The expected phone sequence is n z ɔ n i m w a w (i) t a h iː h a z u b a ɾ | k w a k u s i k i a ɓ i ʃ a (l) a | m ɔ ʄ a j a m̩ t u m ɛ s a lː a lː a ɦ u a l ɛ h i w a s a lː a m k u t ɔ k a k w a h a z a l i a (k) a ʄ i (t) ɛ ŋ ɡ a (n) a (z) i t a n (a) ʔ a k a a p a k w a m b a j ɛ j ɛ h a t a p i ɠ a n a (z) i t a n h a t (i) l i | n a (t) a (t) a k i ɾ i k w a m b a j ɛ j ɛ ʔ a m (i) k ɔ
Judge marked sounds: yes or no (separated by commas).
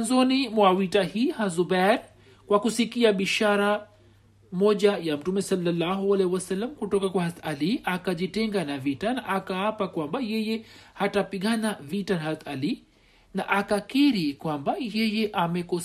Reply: yes, no, yes, yes, yes, no, yes, no, no, no, no, no